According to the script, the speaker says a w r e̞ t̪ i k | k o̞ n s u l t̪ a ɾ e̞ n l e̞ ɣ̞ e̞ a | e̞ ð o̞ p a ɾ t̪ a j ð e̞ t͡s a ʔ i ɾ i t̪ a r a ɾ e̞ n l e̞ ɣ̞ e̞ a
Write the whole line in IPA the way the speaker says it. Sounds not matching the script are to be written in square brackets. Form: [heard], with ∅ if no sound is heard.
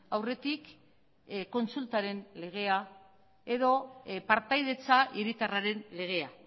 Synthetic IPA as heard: a w r e̞ t̪ i k | k o̞ n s u l t̪ a ɾ e̞ n l e̞ ɣ̞ e̞ a | e̞ ð o̞ p a ɾ t̪ a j ð e̞ t͡s a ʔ i ɾ i t̪ a r a ɾ e̞ n l e̞ ɣ̞ e̞ a